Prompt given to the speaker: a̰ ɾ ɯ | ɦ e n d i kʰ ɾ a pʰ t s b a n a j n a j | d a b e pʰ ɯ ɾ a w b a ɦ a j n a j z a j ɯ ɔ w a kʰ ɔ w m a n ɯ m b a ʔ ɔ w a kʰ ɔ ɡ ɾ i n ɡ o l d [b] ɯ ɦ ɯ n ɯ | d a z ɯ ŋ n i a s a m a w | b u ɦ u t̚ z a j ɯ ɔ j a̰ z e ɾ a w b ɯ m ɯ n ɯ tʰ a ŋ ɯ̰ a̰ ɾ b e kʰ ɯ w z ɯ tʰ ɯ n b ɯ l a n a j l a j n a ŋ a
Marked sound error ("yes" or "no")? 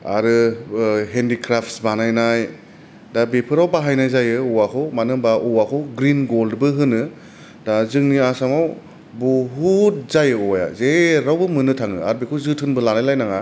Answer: no